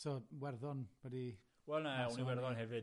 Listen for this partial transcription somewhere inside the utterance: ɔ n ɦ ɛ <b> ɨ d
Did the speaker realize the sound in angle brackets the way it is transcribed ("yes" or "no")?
no